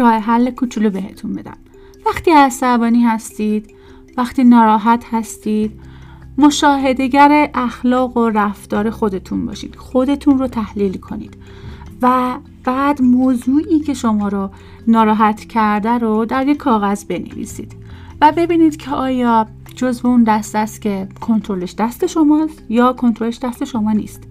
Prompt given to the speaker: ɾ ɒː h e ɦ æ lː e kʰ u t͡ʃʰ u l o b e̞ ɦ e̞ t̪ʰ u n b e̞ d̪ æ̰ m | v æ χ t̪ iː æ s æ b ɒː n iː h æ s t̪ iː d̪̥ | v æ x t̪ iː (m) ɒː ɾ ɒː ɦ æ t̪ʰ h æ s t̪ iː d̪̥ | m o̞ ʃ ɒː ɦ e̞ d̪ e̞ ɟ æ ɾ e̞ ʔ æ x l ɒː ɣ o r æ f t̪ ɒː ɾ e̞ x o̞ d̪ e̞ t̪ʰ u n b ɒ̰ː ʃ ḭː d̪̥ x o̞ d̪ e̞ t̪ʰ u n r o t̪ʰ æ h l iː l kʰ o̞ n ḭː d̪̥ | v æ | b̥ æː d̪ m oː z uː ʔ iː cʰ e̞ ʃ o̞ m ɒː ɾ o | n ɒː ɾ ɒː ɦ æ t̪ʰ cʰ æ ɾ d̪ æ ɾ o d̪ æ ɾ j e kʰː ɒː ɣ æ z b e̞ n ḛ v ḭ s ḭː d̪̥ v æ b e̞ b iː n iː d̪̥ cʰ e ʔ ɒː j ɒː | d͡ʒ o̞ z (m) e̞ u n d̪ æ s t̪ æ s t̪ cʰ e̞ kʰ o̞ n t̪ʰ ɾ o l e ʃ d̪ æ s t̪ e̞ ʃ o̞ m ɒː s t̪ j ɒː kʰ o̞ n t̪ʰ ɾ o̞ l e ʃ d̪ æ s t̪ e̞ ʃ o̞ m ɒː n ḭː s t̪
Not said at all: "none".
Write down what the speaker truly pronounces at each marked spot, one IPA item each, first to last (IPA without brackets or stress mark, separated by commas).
n, b